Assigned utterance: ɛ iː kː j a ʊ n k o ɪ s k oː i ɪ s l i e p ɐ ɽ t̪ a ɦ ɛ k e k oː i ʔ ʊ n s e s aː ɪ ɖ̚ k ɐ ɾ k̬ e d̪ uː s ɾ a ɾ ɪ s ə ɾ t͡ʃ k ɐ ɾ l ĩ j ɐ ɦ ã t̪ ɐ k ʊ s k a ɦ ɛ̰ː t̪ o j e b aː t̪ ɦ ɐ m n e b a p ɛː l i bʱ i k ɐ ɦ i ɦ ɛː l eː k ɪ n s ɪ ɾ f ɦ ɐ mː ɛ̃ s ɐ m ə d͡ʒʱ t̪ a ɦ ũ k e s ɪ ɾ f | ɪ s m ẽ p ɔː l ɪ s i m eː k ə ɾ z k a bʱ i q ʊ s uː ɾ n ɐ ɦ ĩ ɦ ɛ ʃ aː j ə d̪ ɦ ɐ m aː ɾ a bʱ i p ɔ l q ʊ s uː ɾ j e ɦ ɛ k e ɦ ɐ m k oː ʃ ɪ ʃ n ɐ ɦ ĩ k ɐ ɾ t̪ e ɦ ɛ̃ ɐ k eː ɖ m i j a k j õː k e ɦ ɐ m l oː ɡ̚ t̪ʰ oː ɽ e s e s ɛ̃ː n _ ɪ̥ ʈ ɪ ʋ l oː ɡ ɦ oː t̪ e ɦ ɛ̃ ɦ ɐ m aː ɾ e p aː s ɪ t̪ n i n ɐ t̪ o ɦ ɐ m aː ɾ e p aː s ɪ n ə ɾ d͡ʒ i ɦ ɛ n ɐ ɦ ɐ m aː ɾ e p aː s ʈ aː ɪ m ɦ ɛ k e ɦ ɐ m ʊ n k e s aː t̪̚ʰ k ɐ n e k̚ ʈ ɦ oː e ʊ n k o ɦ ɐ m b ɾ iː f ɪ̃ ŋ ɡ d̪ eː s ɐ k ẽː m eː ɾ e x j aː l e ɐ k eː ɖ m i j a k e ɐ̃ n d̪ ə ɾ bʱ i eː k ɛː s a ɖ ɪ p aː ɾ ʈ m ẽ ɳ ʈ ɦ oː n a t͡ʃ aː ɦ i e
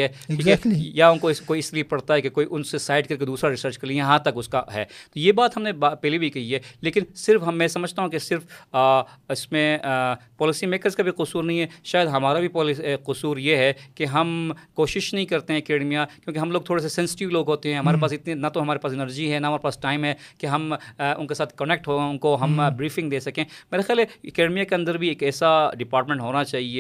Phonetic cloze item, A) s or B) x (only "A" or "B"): A